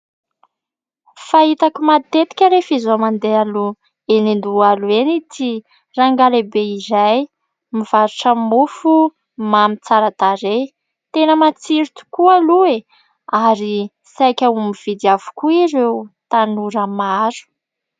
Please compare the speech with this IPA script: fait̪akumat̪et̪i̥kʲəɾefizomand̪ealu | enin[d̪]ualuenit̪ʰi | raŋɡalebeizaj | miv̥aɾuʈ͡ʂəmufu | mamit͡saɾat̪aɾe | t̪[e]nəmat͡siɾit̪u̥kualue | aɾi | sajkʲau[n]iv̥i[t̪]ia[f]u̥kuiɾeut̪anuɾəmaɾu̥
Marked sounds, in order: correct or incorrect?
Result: correct, correct, incorrect, incorrect, incorrect

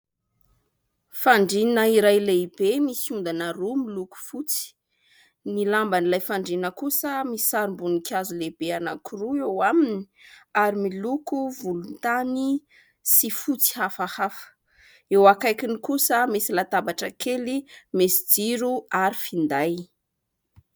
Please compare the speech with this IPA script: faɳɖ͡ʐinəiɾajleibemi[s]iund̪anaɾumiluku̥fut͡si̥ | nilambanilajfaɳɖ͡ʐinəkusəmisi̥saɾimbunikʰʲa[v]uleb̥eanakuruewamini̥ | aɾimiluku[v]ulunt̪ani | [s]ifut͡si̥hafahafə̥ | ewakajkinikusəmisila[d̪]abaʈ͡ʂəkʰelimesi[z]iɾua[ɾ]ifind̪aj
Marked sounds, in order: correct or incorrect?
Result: correct, incorrect, correct, correct, incorrect, incorrect, correct

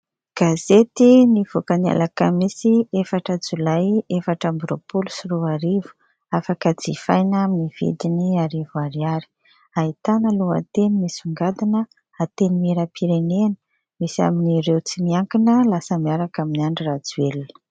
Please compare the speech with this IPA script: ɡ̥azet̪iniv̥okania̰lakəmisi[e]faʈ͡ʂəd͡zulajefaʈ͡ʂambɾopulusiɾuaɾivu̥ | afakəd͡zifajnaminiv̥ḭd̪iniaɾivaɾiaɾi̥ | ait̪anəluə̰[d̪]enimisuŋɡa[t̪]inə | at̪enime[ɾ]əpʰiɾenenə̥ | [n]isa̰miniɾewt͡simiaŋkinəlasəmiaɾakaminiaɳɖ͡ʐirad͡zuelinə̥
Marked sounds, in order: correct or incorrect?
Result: correct, incorrect, incorrect, correct, incorrect

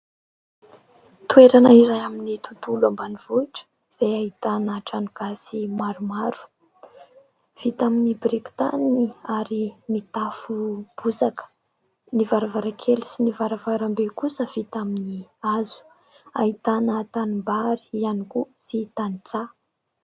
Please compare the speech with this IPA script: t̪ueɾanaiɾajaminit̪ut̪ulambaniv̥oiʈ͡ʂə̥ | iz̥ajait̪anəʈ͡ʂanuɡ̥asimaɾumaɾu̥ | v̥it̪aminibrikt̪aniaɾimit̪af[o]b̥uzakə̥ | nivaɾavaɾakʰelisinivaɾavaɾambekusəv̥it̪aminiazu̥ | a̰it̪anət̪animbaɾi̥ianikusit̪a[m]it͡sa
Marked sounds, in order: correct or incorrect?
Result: incorrect, incorrect

